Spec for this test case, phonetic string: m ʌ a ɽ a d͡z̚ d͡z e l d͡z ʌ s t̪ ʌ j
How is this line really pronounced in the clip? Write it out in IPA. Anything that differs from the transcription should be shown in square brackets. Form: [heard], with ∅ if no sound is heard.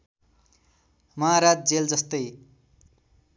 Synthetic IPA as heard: m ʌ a [ɾ] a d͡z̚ d͡z e l d͡z ʌ s t̪ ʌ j